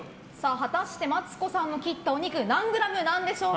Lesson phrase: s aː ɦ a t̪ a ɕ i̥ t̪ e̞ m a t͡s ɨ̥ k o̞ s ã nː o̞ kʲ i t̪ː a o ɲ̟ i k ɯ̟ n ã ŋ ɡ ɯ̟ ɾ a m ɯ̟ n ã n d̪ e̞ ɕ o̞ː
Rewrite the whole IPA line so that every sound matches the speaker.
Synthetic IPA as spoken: s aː ɦ a t̪ a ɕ i̥ t̪ e̞ m a t͡s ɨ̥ k o̞ s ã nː o̞ kʲ i t̪ː a o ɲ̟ i k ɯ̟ n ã ŋ ɡ ɯ̟ ɾ a m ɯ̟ n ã n d̪ e̞ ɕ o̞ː